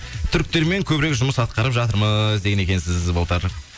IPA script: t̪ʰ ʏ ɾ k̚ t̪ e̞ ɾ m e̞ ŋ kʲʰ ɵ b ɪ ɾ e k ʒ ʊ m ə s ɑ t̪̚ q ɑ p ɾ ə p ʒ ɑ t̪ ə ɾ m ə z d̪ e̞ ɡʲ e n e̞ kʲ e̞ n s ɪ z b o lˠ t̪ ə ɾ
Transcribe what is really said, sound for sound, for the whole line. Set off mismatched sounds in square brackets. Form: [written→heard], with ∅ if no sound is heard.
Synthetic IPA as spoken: t̪ʰ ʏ ɾ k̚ t̪ e̞ ɾ m e̞ ŋ kʲʰ ɵ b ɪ ɾ e k ʒ ʊ m ə s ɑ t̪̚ q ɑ [p→∅] ɾ ə p ʒ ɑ t̪ ə ɾ m ə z d̪ e̞ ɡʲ e n e̞ kʲ e̞ n s ɪ z b o lˠ t̪ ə ɾ